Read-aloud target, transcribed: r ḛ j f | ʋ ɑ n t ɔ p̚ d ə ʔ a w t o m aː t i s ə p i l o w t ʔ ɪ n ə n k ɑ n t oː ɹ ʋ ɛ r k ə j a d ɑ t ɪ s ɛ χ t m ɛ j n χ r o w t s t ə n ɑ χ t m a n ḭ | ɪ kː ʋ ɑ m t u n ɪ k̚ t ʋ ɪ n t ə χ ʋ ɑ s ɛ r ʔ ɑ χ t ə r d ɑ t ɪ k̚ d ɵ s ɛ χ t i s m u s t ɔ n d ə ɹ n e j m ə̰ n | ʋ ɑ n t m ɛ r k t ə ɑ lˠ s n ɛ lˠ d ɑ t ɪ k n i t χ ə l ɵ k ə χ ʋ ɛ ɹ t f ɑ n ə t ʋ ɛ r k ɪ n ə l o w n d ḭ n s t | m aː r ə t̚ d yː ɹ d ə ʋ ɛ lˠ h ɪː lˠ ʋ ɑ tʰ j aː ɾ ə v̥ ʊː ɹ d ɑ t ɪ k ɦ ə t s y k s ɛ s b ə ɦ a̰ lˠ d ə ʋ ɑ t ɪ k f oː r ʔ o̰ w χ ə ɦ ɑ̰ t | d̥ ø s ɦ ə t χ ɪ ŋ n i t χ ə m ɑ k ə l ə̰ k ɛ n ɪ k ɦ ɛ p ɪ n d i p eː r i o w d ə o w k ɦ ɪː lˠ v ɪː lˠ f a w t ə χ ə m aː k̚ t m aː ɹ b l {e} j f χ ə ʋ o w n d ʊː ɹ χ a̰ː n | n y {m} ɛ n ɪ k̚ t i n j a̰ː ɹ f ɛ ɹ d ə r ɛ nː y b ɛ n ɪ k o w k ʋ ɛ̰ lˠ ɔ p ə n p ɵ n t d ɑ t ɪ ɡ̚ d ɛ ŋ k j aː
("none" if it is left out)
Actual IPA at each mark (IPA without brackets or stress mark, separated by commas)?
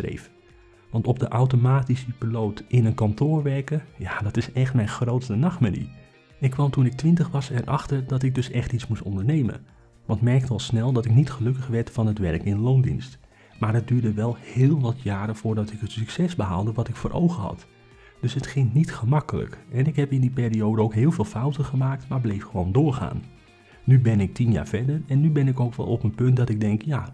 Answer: e, b